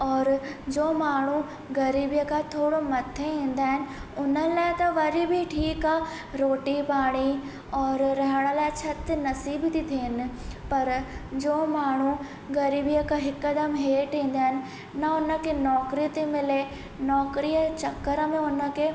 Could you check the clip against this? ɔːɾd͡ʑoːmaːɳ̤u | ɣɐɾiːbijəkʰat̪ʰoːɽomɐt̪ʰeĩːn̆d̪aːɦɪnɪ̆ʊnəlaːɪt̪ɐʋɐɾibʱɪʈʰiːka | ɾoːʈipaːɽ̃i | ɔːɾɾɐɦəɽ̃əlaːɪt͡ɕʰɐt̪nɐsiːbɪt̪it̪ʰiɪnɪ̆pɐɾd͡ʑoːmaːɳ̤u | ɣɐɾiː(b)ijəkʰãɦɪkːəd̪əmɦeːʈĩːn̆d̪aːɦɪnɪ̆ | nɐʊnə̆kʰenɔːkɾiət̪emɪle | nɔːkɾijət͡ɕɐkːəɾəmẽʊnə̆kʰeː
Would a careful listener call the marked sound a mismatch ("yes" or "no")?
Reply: no